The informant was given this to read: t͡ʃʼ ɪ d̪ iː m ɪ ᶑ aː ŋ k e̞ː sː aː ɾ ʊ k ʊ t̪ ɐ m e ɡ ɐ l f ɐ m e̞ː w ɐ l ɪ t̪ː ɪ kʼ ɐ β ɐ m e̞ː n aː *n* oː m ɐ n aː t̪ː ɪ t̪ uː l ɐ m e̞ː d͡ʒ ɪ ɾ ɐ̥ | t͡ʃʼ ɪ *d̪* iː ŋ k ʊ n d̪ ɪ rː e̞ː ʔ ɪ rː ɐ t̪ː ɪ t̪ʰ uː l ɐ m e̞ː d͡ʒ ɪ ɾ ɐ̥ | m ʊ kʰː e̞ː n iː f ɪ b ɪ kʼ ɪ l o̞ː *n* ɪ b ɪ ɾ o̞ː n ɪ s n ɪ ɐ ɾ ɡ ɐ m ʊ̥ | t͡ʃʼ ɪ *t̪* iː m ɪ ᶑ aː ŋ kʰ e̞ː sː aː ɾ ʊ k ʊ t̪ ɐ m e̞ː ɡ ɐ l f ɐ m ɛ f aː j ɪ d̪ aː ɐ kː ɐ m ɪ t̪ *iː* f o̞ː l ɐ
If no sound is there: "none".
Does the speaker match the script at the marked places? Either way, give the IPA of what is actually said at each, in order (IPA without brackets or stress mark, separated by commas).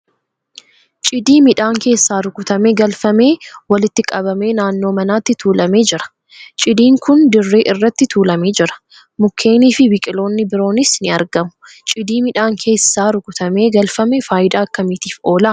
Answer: nː, d̪, nː, d̪, iː